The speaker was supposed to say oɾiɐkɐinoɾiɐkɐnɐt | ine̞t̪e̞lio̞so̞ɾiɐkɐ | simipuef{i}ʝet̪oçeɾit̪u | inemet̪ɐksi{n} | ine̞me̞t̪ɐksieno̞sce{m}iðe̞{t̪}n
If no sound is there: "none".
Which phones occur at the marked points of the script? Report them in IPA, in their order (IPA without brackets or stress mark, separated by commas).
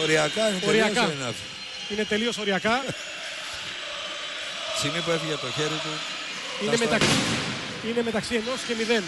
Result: i, none, m, none